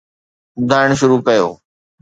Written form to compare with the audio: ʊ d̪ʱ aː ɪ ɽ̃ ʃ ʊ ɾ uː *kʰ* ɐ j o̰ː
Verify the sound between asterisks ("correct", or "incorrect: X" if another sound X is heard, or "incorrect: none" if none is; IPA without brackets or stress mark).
incorrect: k